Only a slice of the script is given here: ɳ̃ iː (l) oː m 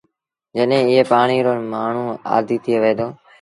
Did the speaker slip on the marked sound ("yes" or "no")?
yes